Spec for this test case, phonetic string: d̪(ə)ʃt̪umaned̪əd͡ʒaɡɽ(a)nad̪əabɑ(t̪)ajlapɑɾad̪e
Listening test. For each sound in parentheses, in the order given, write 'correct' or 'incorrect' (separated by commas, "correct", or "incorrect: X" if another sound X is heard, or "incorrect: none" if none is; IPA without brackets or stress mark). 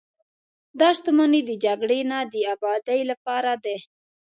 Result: incorrect: ɑ, incorrect: e, incorrect: d̪